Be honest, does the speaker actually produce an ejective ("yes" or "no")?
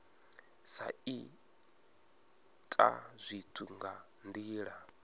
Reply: yes